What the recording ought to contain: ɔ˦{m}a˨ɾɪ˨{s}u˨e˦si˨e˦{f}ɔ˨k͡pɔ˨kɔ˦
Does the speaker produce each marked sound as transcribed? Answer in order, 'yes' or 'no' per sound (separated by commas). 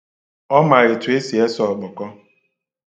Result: yes, no, no